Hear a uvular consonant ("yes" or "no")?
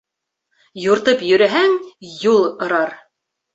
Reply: no